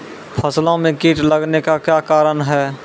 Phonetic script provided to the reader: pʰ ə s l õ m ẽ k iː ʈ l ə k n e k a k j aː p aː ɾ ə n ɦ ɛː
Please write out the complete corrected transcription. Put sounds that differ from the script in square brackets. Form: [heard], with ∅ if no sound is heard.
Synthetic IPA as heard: pʰ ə s l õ m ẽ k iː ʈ l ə [ɡ] n e k a k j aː [k] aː ɾ ə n ɦ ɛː